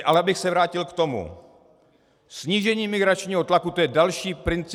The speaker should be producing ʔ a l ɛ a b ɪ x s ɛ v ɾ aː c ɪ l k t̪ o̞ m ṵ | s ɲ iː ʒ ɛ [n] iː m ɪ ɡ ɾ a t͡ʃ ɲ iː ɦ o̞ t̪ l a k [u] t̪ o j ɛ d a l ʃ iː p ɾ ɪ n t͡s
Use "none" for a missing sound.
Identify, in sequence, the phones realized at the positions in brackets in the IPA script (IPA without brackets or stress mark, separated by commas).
ɲ, u